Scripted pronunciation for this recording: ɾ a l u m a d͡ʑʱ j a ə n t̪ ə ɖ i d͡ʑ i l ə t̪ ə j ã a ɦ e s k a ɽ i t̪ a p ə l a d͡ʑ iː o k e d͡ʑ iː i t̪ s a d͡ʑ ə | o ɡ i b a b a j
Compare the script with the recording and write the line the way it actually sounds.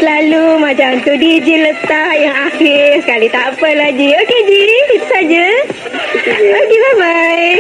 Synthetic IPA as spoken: l a l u m a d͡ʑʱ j a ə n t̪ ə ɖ i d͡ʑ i l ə t̪ a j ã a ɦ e s k a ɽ i t̪ a p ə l a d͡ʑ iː o k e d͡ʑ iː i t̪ s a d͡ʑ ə | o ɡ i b a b a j